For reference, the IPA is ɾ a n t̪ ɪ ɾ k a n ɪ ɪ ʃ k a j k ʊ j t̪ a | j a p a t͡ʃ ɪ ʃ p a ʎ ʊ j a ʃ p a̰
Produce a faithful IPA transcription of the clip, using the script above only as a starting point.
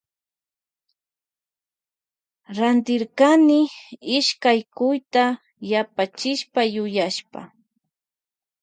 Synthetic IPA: ɾ a n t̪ ɪ ɾ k a n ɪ ɪ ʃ k a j k ʊ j t̪ a | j a p a t͡ʃ ɪ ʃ p a j ʊ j a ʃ p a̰